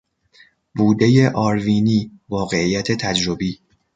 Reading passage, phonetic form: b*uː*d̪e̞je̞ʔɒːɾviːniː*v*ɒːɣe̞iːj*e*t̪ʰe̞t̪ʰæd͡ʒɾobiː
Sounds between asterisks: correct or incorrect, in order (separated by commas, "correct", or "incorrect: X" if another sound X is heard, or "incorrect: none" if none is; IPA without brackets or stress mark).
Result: correct, correct, incorrect: æ